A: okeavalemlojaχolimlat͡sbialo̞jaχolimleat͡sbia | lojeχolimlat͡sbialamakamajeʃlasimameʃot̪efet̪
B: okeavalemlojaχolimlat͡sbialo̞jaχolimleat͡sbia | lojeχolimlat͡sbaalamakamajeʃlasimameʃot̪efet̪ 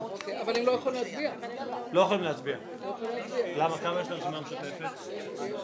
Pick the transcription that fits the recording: A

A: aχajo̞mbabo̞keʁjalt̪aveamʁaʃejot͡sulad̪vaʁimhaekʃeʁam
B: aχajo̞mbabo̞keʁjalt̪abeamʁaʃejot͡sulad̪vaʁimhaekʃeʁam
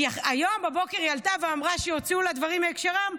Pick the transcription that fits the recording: A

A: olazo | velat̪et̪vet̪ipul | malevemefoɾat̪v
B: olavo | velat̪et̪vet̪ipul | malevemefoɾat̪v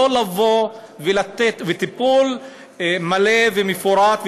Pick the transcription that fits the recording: B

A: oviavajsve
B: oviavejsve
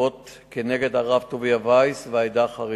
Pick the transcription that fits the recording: A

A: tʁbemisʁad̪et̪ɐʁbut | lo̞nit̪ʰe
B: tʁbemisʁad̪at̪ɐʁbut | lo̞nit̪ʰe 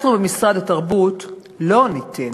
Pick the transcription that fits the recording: B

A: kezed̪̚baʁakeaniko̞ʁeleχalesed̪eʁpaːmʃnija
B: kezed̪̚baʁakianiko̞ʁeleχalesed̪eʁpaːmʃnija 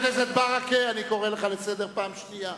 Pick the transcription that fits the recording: A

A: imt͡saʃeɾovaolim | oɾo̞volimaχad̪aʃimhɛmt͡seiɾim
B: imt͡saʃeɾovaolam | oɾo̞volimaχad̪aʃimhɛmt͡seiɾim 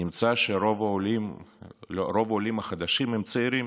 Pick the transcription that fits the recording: A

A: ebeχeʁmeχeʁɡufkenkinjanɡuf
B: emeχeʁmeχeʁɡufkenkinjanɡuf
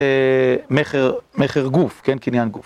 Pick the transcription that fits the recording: B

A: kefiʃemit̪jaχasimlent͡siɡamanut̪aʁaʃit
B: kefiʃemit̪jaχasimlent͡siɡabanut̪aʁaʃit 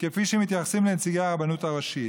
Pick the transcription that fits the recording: B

